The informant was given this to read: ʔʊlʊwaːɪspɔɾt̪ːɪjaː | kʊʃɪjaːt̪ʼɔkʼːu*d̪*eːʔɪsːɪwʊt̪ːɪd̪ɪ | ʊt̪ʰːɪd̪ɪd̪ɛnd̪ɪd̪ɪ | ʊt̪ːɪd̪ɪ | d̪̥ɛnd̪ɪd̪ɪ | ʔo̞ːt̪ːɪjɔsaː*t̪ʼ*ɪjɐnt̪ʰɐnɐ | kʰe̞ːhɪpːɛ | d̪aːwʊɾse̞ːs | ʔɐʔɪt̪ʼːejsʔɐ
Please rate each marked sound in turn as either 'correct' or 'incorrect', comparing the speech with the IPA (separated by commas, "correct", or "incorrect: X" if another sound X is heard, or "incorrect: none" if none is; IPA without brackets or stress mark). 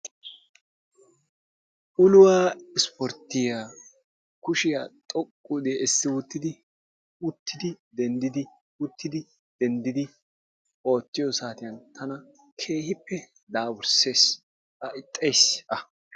correct, incorrect: t̪